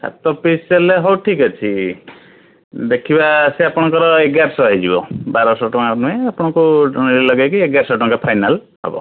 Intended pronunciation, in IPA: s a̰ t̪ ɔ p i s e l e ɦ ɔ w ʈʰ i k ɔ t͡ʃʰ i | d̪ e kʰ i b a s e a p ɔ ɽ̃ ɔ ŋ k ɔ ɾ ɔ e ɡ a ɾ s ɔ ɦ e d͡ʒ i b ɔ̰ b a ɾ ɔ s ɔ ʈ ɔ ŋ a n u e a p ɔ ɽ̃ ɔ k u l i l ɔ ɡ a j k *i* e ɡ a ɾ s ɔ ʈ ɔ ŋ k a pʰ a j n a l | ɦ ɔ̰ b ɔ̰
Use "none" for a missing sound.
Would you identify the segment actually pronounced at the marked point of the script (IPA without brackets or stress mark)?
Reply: i